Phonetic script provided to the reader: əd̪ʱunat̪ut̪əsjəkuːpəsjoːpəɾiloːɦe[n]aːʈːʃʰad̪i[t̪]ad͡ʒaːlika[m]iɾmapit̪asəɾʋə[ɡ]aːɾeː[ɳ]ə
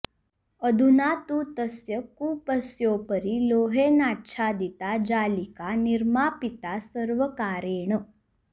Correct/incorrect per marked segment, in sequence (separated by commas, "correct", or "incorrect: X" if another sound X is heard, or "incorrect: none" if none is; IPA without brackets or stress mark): correct, correct, incorrect: n, incorrect: k, correct